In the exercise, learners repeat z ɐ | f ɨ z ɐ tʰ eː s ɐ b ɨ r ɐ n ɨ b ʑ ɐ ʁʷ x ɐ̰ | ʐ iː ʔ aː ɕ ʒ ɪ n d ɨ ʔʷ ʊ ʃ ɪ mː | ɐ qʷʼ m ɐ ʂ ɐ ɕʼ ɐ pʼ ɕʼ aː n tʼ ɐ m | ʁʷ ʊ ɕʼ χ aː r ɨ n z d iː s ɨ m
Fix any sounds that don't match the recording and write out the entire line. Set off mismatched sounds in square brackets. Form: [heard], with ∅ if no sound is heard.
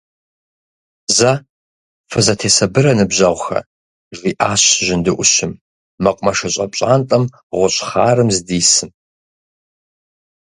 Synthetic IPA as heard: z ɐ | f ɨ z ɐ tʰ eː s ɐ b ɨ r ɐ n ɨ b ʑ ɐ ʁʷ x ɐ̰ | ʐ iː ʔ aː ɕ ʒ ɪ n d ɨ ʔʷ ʊ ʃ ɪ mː | ɐ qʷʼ m ɐ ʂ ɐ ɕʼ ɐ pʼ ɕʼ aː n tʼ ɐ m | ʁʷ ʊ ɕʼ χ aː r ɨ [m] z d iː s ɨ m